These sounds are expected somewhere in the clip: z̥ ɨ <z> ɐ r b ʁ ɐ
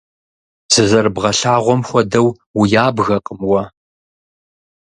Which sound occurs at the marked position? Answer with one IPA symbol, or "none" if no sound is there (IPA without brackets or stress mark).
z